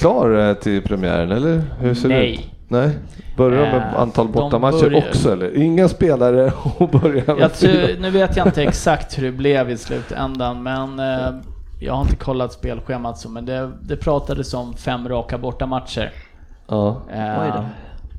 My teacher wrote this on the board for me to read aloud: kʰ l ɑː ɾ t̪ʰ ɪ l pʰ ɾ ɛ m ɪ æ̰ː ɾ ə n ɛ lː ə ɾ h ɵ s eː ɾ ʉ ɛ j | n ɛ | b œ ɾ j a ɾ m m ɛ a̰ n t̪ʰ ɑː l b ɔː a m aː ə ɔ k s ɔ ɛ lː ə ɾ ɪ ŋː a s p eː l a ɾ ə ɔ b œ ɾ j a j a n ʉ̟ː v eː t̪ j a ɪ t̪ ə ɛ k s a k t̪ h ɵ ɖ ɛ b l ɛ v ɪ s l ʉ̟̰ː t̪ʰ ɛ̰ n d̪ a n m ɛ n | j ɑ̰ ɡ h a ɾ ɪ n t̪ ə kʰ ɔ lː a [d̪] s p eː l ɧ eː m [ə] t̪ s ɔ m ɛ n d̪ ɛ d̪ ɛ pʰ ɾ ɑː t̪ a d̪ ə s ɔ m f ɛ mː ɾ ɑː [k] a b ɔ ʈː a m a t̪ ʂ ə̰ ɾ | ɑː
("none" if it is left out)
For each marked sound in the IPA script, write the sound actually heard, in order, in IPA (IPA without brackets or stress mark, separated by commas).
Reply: t̪, a, k